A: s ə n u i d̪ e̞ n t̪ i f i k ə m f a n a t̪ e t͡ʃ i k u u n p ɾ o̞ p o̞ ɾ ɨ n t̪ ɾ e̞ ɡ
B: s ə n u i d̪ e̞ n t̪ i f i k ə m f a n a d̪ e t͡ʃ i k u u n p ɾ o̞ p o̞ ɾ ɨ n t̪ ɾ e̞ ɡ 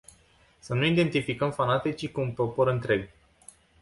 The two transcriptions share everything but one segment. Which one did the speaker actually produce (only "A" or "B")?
A